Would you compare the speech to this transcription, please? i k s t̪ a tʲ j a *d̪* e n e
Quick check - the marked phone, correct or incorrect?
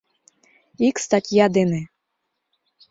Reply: correct